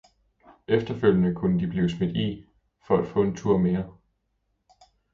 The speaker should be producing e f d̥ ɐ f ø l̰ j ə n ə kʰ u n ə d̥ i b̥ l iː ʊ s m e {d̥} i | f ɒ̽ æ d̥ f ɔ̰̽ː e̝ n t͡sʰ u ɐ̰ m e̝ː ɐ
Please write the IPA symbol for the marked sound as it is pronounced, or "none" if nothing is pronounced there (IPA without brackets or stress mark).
d̥